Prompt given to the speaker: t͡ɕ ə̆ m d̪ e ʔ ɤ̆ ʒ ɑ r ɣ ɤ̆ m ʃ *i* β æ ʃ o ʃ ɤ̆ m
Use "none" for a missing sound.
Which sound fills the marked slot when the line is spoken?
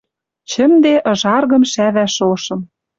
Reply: æ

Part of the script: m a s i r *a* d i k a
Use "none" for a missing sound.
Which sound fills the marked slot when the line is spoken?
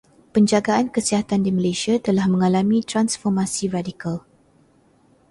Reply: a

